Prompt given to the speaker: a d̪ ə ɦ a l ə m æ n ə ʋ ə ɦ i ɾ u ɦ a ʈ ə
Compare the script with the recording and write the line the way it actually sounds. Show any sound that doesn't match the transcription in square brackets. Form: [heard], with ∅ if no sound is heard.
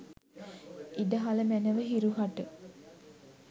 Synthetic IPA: [i] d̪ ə ɦ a l ə m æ n ə ʋ ə ɦ i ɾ u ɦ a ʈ ə

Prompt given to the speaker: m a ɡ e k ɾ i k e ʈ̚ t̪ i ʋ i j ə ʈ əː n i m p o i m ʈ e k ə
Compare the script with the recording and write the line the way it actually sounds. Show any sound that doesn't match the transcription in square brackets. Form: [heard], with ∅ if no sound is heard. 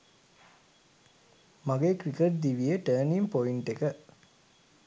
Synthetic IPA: m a ɡ e k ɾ i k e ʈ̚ [d̪] i ʋ i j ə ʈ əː n i m p o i [ɳ] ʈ e k ə

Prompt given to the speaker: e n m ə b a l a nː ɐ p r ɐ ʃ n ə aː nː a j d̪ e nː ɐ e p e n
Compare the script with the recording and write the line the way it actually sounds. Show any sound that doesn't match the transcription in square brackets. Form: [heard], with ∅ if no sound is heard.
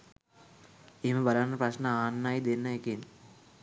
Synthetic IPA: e [∅] m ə b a l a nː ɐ p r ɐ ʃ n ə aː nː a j d̪ e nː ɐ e [k] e n

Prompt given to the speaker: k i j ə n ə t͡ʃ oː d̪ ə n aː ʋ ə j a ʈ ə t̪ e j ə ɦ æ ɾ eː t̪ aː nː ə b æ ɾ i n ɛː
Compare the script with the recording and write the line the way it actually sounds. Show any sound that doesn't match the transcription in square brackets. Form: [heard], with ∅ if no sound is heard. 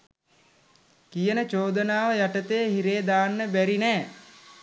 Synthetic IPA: k i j ə n ə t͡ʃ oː d̪ ə n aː ʋ ə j a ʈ ə t̪ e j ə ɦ [i] ɾ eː [d̪] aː nː ə b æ ɾ i n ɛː

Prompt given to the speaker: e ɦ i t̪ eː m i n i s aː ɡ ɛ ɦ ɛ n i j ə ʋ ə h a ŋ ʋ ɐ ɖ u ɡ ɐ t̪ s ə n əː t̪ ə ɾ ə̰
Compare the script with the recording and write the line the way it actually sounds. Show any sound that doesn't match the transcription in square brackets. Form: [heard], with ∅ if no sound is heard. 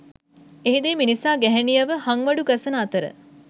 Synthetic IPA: e ɦ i [d̪] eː m i n i s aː ɡ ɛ ɦ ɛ n i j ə ʋ ə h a ŋ ʋ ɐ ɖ u ɡ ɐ [∅] s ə n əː t̪ ə ɾ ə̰

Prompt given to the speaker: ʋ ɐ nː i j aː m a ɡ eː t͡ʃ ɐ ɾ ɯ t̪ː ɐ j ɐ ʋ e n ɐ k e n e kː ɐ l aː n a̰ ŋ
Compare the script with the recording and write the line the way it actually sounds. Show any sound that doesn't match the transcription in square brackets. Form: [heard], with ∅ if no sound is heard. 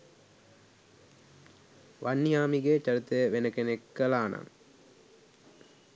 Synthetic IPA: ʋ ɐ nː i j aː m [i] ɡ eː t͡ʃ ɐ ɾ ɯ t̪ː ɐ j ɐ ʋ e n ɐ k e n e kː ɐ l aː n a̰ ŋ

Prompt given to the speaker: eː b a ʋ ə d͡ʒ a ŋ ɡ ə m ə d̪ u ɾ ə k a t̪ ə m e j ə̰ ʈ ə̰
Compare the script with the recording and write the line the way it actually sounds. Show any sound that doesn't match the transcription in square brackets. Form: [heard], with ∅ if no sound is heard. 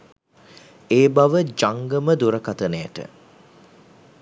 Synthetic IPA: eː b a ʋ ə d͡ʒ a ŋ ɡ ə m ə d̪ u ɾ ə k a t̪ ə [n] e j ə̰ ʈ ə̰

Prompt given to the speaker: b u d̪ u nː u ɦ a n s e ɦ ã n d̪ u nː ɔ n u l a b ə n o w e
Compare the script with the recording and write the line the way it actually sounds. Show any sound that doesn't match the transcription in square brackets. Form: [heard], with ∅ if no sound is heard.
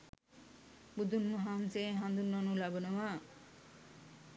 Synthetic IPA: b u d̪ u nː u ɦ a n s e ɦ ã n d̪ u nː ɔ n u l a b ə n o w [a]

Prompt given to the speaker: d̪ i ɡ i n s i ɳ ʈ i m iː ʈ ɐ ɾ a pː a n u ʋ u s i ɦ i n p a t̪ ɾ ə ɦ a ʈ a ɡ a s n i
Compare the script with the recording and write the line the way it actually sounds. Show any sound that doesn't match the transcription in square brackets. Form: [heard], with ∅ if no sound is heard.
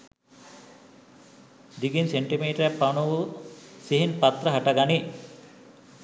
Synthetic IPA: d̪ i ɡ i n s [e] ɳ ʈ i m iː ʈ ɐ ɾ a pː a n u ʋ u s i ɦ i n p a t̪ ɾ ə ɦ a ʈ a ɡ a [∅] n i

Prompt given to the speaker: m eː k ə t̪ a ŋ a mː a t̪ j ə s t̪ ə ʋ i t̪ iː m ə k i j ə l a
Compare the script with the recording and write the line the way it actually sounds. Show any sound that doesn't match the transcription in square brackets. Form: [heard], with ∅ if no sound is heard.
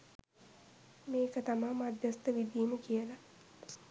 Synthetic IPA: m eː k ə t̪ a [m] a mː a [d̪] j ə s t̪ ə ʋ i [d̪] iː m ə k i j ə l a

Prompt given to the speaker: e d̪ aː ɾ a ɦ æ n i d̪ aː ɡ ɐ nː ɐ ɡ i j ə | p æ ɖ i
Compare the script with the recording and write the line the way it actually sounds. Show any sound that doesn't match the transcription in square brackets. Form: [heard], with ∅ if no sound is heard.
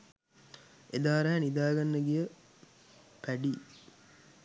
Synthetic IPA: e d̪ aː ɾ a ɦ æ n i d̪ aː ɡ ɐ nː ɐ ɡ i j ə | p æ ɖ i

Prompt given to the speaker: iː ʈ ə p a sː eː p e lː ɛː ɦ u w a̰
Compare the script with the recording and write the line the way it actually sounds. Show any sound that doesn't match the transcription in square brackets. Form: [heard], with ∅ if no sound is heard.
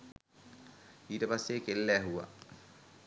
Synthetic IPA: iː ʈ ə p a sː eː [k] e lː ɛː ɦ u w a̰

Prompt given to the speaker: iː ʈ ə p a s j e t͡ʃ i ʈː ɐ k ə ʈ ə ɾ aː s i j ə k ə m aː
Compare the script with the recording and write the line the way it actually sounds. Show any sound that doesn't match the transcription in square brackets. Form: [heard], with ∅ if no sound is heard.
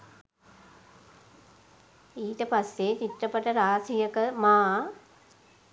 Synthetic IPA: iː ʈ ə p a s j e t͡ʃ i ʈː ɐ [p] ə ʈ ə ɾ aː s i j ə k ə m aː

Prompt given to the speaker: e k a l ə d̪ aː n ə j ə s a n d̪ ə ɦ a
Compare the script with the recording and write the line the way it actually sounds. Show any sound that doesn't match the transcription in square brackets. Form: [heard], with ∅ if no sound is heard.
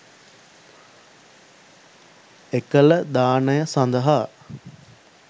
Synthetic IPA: e k [ə] l ə d̪ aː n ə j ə s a n d̪ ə ɦ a

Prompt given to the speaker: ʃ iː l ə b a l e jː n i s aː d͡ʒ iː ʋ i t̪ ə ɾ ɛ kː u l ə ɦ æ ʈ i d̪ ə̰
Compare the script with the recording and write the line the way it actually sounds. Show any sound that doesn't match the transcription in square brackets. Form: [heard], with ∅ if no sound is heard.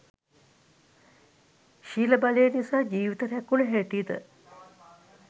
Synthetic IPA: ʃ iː l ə b a l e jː n i s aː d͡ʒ iː ʋ i t̪ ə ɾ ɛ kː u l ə ɦ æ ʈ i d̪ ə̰

